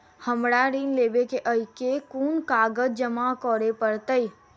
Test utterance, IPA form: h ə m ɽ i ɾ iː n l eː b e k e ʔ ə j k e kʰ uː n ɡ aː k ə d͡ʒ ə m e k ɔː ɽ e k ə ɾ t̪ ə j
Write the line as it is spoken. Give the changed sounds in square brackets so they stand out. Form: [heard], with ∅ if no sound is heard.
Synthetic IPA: h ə m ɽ [a] ɾ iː n l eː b e k e ʔ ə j k e [k] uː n [k] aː [ɡ] ə d͡ʒ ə m [a] k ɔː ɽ e [p] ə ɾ t̪ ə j